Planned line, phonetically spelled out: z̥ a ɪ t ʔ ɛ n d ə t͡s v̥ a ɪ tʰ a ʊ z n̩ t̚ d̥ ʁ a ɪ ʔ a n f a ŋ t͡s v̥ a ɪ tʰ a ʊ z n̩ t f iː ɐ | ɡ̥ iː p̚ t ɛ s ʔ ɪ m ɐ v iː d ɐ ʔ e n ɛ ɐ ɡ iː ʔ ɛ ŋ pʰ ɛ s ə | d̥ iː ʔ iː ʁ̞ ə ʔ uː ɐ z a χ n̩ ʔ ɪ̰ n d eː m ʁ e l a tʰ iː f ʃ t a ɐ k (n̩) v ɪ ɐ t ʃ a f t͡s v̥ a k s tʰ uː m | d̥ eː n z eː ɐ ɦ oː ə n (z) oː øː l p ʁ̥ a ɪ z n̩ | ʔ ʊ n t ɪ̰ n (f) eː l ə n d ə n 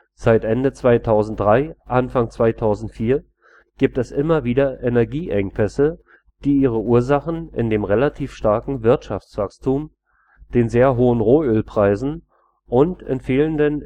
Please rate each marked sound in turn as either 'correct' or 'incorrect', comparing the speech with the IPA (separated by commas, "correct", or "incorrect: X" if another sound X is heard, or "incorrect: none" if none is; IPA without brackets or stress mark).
incorrect: ŋ̩, incorrect: ʁ, correct